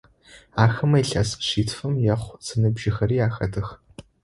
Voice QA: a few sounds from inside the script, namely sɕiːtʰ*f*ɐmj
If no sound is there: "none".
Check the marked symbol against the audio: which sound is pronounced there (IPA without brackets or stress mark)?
f